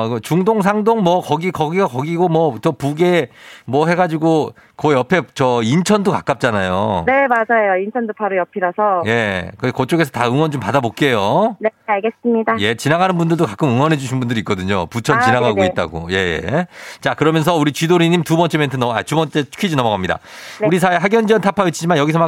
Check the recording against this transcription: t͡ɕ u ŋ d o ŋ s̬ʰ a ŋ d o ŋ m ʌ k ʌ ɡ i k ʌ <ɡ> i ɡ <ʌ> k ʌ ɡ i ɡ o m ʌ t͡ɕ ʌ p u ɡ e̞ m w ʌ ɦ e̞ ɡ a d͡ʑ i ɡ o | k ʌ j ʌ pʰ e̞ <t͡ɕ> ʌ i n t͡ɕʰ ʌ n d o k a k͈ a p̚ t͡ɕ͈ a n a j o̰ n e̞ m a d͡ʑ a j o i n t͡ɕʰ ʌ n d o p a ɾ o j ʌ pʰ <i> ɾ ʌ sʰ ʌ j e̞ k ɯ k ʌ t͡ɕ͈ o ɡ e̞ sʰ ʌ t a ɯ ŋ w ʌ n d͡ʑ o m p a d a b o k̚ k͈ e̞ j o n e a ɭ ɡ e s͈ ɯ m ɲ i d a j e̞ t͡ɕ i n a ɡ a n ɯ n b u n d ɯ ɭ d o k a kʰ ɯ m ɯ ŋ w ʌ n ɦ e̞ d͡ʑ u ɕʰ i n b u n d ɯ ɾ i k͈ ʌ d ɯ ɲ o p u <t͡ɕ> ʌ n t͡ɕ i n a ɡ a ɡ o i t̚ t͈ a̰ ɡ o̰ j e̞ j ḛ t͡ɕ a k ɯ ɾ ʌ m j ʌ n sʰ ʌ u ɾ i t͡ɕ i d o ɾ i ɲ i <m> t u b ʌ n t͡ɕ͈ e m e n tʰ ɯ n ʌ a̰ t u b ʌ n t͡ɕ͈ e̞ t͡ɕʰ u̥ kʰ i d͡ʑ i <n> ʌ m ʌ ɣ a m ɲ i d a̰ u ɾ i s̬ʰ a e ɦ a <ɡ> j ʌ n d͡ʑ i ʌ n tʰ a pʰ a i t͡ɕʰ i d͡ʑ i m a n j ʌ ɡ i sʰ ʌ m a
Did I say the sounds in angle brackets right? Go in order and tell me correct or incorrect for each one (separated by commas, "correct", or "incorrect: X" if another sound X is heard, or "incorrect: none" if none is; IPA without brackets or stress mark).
correct, incorrect: a, correct, correct, incorrect: t͡ɕʰ, correct, correct, correct